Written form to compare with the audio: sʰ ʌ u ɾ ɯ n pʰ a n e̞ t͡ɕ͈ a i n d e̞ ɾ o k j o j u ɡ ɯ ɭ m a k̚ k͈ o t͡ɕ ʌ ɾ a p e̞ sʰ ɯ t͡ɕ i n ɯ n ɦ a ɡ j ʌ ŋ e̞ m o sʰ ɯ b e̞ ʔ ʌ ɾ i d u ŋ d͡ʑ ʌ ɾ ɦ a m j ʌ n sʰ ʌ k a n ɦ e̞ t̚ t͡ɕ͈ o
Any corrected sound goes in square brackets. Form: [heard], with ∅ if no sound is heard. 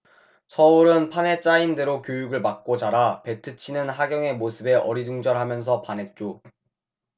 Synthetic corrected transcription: sʰ ʌ u ɾ ɯ n pʰ a n e̞ t͡ɕ͈ a i n d e̞ ɾ o k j o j u ɡ ɯ ɭ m a k̚ k͈ o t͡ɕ [a] ɾ a p e̞ [tʰ] ɯ [t͡ɕʰ] i n ɯ n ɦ a ɡ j ʌ ŋ e̞ m o sʰ ɯ b e̞ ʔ ʌ ɾ i d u ŋ d͡ʑ ʌ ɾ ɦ a m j ʌ n sʰ ʌ [p] a n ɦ e̞ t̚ t͡ɕ͈ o